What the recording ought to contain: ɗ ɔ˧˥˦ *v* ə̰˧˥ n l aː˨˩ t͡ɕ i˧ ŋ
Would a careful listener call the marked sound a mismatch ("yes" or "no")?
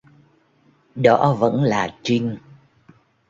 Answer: no